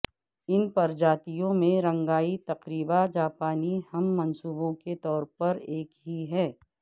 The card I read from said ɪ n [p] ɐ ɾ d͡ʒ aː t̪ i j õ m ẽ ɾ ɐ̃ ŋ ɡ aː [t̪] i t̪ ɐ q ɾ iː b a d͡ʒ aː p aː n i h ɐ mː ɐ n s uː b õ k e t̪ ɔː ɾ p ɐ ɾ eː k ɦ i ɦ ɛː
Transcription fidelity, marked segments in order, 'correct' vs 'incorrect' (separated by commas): correct, incorrect